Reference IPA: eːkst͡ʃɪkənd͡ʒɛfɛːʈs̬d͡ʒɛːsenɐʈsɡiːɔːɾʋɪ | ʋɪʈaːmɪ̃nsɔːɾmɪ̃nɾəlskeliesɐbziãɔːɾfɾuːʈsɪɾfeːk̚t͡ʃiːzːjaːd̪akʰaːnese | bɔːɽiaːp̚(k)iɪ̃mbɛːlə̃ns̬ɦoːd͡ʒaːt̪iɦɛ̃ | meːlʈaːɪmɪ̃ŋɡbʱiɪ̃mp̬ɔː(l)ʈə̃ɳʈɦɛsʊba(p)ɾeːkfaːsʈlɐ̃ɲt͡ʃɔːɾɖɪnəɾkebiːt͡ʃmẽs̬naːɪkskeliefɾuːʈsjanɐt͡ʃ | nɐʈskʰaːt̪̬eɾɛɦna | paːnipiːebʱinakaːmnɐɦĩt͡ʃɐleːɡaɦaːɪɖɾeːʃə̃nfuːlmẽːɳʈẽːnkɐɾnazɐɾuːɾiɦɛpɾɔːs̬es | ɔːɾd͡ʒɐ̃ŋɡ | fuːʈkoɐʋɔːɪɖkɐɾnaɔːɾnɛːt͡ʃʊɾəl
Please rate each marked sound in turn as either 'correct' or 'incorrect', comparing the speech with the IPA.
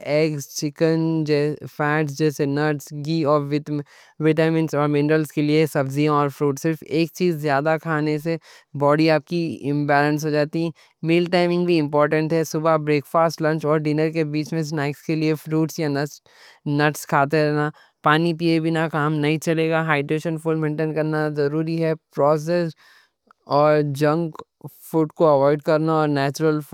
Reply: correct, incorrect: ɾ, incorrect: b

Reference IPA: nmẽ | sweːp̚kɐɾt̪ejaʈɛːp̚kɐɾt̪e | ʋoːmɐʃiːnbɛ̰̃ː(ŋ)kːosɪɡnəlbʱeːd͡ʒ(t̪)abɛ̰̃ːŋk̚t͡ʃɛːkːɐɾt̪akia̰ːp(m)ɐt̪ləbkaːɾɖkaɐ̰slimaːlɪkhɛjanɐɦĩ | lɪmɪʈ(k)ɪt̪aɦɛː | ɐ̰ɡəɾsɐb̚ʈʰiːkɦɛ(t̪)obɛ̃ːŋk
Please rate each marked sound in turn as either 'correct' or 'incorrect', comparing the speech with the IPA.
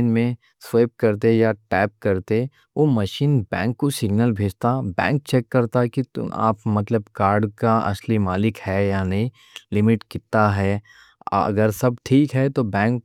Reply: correct, correct, correct, correct, correct

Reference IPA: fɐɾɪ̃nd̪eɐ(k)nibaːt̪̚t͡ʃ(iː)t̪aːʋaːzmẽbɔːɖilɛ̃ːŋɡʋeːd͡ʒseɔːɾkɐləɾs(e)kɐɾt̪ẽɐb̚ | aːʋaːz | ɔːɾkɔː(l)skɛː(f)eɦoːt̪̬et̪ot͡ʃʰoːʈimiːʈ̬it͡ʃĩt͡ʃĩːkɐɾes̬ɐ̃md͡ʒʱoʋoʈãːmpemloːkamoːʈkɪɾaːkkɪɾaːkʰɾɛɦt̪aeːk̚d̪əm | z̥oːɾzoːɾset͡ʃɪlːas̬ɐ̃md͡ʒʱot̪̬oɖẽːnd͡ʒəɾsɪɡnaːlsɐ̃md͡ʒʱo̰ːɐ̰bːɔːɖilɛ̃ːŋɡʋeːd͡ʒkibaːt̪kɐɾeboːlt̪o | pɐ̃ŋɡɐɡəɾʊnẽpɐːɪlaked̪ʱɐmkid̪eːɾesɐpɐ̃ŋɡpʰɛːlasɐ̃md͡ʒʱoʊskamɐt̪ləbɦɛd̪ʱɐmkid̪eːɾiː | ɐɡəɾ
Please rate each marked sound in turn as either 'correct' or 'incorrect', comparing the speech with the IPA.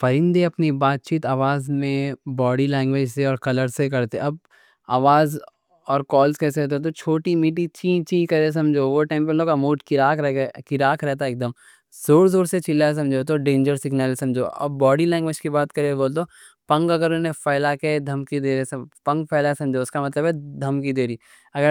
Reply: incorrect: p, correct, correct, correct, incorrect: s

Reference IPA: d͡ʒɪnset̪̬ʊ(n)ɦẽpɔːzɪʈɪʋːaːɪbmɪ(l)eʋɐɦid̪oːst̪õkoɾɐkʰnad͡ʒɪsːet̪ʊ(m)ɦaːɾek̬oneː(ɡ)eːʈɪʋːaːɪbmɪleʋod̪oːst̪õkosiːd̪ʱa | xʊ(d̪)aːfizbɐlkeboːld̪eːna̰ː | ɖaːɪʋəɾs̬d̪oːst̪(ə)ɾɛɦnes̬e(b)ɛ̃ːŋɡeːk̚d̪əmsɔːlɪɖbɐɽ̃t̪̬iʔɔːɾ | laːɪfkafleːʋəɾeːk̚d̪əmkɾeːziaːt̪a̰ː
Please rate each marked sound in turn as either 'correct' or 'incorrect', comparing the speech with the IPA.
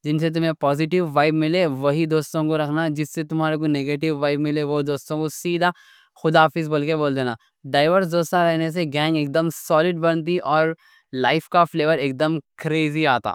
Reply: incorrect: m, correct, correct, correct, correct, incorrect: a, incorrect: ɡ

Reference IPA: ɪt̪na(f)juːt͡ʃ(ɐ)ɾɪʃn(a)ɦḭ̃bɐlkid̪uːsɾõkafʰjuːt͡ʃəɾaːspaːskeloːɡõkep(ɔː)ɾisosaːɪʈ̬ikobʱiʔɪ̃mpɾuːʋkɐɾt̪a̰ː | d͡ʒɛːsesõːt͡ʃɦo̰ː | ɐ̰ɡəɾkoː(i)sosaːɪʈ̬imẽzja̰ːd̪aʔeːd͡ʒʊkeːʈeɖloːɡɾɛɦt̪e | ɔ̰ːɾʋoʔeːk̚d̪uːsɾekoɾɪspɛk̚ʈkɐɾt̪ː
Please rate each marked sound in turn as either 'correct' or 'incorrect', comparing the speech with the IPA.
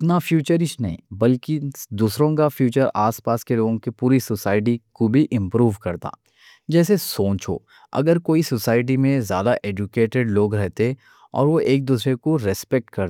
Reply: correct, incorrect: ə, incorrect: ɐ, incorrect: uː, correct

